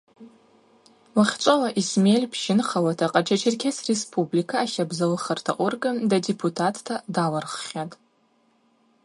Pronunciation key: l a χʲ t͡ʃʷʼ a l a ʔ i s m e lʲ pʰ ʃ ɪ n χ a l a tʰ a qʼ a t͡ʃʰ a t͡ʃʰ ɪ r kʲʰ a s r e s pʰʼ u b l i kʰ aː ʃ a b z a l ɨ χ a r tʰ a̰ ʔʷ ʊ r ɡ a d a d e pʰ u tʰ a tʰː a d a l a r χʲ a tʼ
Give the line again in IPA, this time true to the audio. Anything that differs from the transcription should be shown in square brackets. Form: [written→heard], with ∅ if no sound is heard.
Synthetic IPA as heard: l a χʲ t͡ʃʷʼ a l a ʔ i s m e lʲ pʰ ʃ ɪ n χ a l a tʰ a qʼ a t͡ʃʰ a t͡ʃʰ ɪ r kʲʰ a s r e s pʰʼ u b l i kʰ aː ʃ a b z a l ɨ χ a r tʰ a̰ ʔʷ ʊ r ɡ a d a d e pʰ u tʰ a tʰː a d a l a r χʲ a tʼ